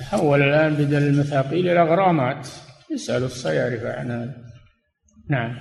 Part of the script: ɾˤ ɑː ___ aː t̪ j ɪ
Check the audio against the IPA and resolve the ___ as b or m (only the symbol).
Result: m